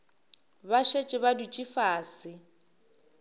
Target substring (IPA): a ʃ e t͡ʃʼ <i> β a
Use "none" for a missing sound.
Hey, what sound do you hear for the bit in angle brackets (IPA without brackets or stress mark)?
ɪ